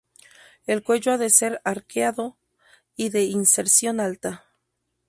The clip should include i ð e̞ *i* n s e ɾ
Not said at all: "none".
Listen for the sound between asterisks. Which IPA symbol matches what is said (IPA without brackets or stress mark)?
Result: i